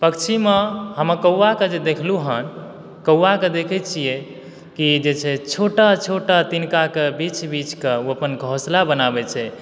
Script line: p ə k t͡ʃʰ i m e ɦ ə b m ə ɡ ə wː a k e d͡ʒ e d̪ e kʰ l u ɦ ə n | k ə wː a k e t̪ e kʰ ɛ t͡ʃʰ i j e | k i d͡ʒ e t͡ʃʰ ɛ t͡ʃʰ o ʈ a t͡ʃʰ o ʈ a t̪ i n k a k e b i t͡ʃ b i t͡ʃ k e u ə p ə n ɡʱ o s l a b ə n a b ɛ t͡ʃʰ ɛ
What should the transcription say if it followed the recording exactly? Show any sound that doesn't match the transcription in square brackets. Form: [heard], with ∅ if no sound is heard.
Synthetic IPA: p ə k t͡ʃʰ i m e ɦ ə [∅] m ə [k] ə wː a k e d͡ʒ e d̪ e kʰ l u ɦ ə n | k ə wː a k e [d̪] e kʰ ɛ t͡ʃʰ i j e | k i d͡ʒ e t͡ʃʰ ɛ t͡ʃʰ o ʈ a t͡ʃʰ o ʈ a t̪ i n k a k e b i t͡ʃ b i t͡ʃ k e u ə p ə n ɡʱ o s l a b ə n a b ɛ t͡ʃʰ ɛ